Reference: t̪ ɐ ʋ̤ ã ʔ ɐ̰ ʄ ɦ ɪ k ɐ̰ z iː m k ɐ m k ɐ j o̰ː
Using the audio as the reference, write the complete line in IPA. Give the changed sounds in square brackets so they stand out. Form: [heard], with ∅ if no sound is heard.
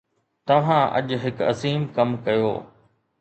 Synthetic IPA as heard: t̪ ɐ ʋ̤ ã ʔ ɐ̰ ʄ ɦ ɪ k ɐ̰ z iː m k ɐ m k ɐ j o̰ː